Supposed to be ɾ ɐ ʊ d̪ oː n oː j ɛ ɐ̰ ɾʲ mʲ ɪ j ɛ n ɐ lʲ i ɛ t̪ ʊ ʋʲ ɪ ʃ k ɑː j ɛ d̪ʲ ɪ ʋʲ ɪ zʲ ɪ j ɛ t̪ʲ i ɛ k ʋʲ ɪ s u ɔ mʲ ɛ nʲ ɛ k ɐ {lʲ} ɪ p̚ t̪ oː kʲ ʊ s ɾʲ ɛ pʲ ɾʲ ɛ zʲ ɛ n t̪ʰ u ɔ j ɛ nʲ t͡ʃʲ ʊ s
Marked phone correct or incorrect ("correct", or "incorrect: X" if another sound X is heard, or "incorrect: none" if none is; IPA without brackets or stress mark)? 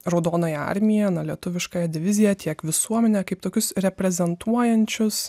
incorrect: none